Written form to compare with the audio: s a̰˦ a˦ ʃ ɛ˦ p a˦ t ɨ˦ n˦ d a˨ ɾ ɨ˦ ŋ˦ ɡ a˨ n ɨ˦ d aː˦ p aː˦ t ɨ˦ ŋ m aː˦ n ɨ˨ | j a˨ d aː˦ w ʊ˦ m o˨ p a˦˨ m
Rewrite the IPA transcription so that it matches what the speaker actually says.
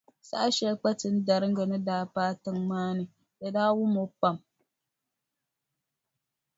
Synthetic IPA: s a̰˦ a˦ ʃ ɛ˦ k͡p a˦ t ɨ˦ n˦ d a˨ ɾ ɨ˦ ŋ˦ ɡ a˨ n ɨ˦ d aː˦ p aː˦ t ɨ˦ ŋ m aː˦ n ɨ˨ | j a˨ d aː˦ w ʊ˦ m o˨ p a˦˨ m

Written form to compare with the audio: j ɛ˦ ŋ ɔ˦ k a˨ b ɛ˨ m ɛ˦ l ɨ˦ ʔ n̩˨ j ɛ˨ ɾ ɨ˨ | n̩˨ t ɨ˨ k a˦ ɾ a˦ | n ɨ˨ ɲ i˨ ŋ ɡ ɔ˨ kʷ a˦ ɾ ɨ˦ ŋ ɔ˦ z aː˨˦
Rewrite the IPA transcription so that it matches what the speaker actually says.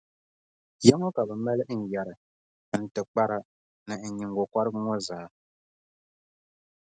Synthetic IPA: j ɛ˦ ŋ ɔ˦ k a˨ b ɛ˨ m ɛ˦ l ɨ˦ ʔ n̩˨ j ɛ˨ ɾ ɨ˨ | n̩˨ t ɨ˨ k͡p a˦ ɾ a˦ | n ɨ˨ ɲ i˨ ŋ ɡ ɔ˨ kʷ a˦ ɾ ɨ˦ ŋ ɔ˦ z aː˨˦

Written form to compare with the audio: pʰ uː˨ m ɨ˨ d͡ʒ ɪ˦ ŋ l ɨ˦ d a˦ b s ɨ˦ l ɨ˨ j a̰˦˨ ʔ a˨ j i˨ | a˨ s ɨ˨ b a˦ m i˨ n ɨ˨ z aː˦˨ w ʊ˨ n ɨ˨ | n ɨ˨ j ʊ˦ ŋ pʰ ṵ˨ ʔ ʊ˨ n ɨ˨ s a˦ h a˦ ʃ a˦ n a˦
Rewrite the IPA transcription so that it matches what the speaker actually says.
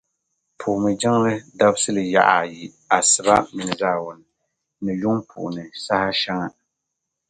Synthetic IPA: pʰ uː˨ m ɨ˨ d͡ʒ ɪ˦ ŋ l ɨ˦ d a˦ b s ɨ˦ l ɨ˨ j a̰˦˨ ʔ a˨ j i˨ | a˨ s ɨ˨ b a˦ m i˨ n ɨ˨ z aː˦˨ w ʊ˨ n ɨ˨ | n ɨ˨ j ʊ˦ ŋ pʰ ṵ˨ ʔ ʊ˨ n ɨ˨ s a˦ h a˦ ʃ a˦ ŋ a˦

